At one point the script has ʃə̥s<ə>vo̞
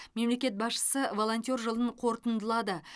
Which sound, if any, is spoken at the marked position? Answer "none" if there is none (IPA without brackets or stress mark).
ə